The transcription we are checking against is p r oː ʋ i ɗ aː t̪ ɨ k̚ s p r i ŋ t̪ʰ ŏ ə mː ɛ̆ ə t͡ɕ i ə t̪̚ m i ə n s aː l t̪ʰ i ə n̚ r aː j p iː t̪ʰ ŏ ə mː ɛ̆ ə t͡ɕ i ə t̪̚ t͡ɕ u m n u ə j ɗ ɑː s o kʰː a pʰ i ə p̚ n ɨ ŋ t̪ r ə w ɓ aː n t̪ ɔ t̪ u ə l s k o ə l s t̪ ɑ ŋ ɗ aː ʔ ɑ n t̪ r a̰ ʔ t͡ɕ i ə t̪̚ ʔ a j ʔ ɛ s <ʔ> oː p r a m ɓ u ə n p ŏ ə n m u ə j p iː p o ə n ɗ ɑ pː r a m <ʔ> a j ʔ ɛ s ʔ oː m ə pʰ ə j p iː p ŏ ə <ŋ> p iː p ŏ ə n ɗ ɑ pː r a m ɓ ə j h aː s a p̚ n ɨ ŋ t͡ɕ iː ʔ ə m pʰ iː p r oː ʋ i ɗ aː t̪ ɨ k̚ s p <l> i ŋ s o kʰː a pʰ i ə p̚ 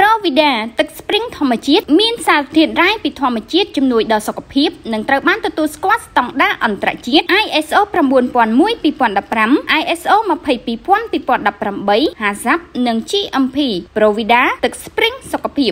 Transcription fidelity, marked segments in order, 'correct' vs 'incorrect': correct, correct, incorrect, incorrect

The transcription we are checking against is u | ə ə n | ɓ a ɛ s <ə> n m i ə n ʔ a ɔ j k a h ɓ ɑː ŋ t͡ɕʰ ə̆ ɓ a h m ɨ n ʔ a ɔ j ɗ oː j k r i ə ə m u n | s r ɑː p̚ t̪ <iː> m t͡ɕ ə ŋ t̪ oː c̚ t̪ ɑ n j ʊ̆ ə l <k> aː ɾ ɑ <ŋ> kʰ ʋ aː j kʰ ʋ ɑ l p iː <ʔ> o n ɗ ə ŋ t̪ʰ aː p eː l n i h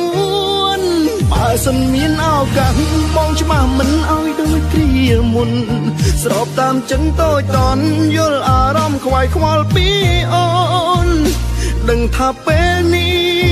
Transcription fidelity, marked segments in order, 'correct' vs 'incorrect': correct, incorrect, incorrect, incorrect, correct

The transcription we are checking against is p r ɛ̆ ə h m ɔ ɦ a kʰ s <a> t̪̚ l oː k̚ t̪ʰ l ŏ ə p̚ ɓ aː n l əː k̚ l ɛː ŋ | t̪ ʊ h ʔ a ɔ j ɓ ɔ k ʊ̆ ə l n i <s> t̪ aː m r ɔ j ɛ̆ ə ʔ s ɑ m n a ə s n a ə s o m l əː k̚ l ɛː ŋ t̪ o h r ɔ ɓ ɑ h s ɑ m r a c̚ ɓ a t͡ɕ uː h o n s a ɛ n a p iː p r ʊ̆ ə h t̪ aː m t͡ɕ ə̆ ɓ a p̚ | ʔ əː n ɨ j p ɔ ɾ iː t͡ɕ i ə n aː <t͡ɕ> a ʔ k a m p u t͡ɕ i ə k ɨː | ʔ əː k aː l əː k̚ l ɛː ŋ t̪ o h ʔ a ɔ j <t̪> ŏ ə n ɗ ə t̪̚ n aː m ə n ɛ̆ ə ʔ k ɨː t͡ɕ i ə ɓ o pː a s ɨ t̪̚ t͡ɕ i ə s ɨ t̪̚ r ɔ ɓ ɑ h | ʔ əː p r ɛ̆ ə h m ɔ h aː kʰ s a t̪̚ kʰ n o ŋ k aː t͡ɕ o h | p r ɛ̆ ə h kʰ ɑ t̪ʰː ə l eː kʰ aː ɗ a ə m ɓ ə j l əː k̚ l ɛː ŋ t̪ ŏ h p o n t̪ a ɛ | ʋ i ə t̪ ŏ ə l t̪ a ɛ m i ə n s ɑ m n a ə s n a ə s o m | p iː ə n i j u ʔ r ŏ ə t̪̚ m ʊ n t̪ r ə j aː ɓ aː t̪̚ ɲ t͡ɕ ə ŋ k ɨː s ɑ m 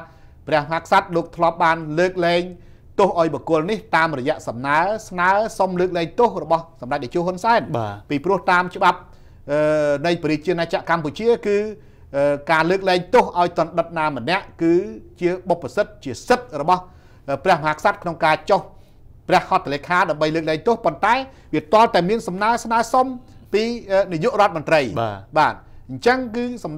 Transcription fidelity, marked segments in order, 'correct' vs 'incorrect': correct, incorrect, correct, correct

